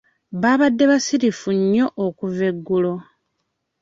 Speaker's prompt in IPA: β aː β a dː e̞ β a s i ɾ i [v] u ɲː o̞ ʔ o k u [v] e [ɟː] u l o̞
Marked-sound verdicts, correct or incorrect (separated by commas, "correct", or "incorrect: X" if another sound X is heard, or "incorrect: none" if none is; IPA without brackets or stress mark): incorrect: f, correct, incorrect: ɡː